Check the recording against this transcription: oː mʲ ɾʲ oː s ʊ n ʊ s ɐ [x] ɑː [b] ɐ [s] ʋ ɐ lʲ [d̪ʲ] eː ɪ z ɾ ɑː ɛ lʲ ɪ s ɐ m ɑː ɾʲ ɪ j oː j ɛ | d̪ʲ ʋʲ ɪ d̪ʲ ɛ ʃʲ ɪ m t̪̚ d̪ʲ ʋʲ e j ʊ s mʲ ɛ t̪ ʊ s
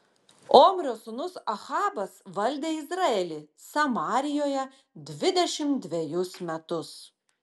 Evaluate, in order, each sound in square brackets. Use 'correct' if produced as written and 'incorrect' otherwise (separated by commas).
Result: correct, correct, correct, correct